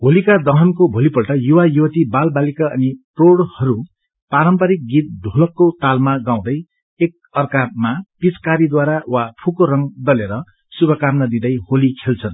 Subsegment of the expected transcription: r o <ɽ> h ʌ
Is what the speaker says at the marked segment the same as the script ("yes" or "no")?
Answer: yes